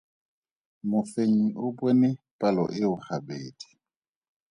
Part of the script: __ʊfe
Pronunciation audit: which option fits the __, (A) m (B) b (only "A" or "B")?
A